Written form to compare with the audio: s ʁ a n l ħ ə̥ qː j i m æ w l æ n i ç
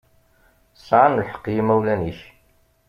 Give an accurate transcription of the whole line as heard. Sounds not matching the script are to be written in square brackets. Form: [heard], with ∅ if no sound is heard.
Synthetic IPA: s [ʕ] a n l ħ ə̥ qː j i m æ w l æ n i ç